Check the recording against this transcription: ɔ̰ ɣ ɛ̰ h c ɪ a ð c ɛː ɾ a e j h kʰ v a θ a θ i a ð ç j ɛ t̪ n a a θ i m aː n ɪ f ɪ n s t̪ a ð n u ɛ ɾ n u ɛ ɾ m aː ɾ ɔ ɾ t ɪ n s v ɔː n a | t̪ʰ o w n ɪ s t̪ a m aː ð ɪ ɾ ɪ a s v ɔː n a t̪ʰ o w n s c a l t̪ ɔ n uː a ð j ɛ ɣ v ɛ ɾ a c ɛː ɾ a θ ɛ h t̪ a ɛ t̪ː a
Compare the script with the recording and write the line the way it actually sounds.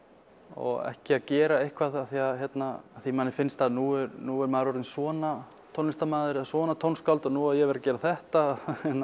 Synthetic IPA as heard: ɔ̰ ɣ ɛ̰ h c ɪ a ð c ɛː ɾ a e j h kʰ v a ð a θ i a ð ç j ɛ t̪ n a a θ i m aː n ɪ f ɪ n s t̪ a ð n u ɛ ɾ n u ɛ ɾ m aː ɾ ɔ ɾ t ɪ n s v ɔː n a | t̪ʰ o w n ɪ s t̪ a m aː ð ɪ ɾ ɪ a s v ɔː n a t̪ʰ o w n s k a l t̪ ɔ n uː a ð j ɛ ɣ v ɛ ɾ a c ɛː ɾ a θ ɛ h t̪ a ɛ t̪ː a

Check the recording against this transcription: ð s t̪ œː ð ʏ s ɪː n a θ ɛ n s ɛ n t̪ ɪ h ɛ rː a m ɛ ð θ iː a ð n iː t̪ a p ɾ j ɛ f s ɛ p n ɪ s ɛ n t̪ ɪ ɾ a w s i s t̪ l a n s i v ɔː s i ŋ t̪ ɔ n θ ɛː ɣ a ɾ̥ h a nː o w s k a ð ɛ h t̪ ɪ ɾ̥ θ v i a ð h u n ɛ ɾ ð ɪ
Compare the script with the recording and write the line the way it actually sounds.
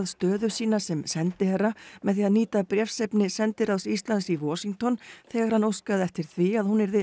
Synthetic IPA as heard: ð s t̪ œː ð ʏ s iː n a s ɛ m s ɛ n t̪ ɪ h ɛ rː a m ɛ ð θ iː a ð n iː t̪ a p ɾ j ɛ f s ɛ p n ɪ s ɛ n t̪ ɪ ɾ a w s i s t̪ l a n s i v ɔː s i ŋ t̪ ɔ n θ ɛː ɣ a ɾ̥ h a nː o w s k a ð ɛ f t̪ ɪ ɾ̥ θ v i a ð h u n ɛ ɾ ð ɪ

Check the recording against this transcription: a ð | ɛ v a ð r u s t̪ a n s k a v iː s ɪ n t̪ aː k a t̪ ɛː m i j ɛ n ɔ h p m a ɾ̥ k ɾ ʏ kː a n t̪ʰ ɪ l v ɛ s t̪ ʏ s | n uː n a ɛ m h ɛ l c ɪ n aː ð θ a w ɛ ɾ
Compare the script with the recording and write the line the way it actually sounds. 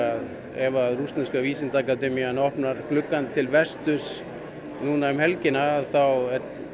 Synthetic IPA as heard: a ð | ɛ v a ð r u s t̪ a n s k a v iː s ɪ n t̪ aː k a t̪ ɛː m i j a n ɔ h p n a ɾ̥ k l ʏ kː a n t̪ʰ ɪ l v ɛ s t̪ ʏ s | n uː n a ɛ m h ɛ l c ɪ n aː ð θ a w ɛ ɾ

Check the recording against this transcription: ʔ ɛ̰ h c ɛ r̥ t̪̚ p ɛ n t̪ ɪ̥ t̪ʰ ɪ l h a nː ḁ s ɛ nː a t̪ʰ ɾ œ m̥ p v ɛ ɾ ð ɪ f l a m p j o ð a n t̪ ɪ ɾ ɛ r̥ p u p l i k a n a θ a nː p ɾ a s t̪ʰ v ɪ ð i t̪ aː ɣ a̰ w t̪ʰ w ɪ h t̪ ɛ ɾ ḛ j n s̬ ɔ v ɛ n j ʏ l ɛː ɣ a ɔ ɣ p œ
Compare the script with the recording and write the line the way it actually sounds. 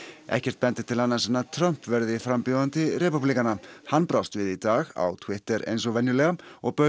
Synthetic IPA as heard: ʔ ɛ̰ h c ɛ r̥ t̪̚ p ɛ n t̪ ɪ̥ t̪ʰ ɪ l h a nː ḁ s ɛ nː a t̪ʰ ɾ œ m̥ p v ɛ ɾ ð ɪ f ɾ a m p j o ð a n t̪ ɪ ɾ ɛ p u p l i k a n a h a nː p ɾ a s t̪ v ɪ ð i t̪ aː ɣ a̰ w t̪ʰ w ɪ h t̪ ɛ ɾ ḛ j n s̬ ɔ v ɛ n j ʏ l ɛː ɣ a ɔ ɣ p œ

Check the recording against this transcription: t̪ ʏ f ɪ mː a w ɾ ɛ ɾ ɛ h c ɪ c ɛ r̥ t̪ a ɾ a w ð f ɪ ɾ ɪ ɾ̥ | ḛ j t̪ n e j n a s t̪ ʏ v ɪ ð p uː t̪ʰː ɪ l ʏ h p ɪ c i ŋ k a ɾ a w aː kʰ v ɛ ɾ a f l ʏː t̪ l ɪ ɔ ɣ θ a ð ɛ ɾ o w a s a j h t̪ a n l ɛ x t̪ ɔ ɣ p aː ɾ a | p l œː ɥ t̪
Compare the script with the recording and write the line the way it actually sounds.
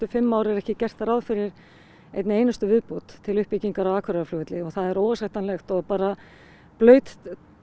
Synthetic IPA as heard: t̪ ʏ f ɪ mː a w ɾ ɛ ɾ ɛ h c ɪ c ɛ r̥ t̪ a ɾ a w ð f ɪ ɾ ɪ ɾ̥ | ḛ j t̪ n e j n a s t̪ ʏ v ɪ ð p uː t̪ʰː ɪ l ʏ h p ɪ c i ŋ k a ɾ a w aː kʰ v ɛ ɾ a f l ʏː t̪ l ɪ ɔ ɣ θ a ð ɛ ɾ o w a s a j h t̪ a n l ɛ x t̪ ɔ ɣ p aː ɾ a | p l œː ɥ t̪

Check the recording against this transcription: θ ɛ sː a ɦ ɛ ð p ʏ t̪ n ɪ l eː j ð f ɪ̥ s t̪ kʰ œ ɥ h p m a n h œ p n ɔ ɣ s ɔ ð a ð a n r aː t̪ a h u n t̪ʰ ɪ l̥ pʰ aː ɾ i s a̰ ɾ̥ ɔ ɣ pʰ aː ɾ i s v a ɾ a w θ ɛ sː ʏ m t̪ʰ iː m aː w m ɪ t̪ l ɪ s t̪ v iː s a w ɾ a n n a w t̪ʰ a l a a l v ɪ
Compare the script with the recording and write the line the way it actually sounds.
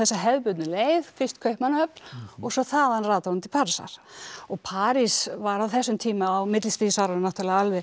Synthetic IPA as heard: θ ɛ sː a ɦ ɛ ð p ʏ t̪ n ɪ l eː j ð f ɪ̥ s t̪ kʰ œ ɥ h p m a n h œ p n ɔ ɣ s ɔ θ a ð a n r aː t̪ a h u n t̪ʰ ɪ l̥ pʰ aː ɾ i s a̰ ɾ̥ ɔ ɣ pʰ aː ɾ i s v a ɾ a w θ ɛ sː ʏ m t̪ʰ iː m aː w m ɪ t̪ l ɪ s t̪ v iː s a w ɾ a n n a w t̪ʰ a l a a l v ɪ

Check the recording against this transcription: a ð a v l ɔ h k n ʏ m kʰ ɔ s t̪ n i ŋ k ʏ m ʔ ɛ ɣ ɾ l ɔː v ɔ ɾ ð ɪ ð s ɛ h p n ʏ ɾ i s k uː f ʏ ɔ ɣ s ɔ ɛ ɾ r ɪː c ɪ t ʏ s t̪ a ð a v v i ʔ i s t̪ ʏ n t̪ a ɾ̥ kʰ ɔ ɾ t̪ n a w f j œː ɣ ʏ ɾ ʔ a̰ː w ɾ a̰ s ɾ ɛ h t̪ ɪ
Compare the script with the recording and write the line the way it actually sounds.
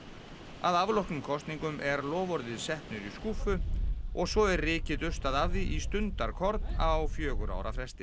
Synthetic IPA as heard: a ð a v l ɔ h k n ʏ m kʰ ɔ s t̪ n i ŋ k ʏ m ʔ ɛ ɾ l ɔː v ɔ ɾ ð ɪ ð s ɛ h p n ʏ ɾ i s k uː f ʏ ɔ ɣ s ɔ ɛ ɾ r ɪː c ɪ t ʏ s t̪ a ð a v ð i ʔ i s t̪ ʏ n t̪ a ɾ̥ kʰ ɔ ɾ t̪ n a w f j œː ɣ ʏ ɾ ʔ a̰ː w ɾ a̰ f ɾ ɛ s t̪ ɪ

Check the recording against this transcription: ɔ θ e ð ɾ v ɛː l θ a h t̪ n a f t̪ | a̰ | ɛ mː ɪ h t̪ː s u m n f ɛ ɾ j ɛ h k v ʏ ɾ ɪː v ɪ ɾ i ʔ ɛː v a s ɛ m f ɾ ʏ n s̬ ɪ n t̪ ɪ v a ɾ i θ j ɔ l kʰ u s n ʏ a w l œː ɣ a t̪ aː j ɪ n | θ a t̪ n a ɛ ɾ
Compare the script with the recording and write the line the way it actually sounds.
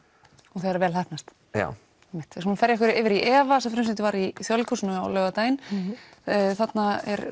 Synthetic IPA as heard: ɔ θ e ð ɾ v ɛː l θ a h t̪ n a s t̪ | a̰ | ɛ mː ɪ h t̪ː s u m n f ɛ ɾ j ɛ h k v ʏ ɾ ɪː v ɪ ɾ i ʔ ɛː v a s ɛ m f ɾ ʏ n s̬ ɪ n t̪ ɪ v a ɾ i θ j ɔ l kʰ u s n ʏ a w l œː ɣ a t̪ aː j ɪ n | θ a t̪ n a ɛ ɾ

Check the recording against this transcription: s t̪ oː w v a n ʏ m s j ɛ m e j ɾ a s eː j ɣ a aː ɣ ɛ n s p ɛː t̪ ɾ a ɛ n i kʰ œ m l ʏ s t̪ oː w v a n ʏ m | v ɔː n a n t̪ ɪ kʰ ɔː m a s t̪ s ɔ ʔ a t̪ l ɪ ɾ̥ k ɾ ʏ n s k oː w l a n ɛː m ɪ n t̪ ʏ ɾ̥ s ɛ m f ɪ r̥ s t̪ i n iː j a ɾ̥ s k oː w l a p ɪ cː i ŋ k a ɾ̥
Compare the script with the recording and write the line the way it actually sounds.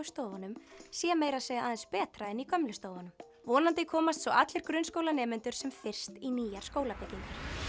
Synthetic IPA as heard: s t̪ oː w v a n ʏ m s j ɛ m e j ɾ a s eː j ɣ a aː ð ɛ n s p ɛː t̪ ɾ a ɛ n i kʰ œ m l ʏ s t̪ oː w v a n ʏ m | v ɔː n a n t̪ ɪ kʰ ɔː m a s t̪ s ɔ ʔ a t̪ l ɪ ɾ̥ k ɾ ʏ n s k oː w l a n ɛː m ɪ n t̪ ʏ ɾ̥ s ɛ m f ɪ r̥ s t̪ i n iː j a ɾ̥ s k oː w l a p ɪ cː i ŋ k a ɾ̥

